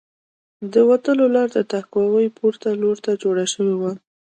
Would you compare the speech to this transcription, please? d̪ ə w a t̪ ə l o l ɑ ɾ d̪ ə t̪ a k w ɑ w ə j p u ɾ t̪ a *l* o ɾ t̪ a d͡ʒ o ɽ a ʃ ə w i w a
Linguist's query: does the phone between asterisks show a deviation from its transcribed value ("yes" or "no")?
no